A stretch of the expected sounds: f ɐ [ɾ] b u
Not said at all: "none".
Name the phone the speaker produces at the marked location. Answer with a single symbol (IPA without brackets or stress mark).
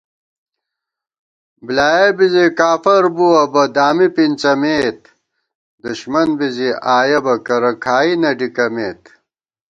ɾ